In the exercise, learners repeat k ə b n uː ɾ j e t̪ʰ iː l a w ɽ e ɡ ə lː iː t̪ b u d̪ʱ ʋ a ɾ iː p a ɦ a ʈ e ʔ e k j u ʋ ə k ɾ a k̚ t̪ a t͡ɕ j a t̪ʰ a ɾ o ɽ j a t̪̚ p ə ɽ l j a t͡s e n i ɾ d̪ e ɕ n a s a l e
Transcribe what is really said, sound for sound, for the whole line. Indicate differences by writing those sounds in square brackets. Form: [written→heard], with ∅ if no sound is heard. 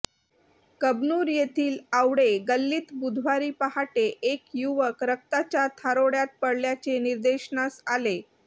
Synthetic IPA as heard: k ə b n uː ɾ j e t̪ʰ iː l a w ɽ e ɡ ə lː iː t̪ b u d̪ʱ ʋ a ɾ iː p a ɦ a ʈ e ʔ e k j u ʋ ə k ɾ [a→ə] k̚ t̪ a t͡ɕ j a t̪ʰ a ɾ o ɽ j a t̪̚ p ə ɽ l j a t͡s e n i ɾ d̪ e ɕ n a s a l e